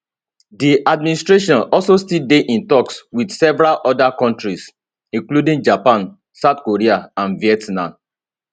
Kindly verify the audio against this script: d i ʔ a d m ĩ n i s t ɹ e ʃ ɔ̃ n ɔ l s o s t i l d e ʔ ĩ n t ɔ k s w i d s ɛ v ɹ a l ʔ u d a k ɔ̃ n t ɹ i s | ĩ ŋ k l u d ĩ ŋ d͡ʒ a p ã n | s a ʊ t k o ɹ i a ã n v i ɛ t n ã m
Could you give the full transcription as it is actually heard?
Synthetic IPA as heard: d i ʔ a d m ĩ n i s t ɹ e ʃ ɔ̃ n ɔ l s o s t i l d e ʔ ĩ n t ɔ k s w i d s ɛ v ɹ a l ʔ ɔ d a k ɔ̃ n t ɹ i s | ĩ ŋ k l u d ĩ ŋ d͡ʒ a p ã n | s a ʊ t k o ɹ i a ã n v i ɛ t n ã m